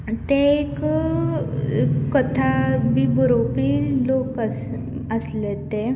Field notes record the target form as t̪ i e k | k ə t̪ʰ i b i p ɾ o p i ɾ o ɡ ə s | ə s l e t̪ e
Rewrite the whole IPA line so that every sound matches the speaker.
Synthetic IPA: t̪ e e k | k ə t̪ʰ a b i b ɾ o p i l o k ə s | ə s l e t̪ e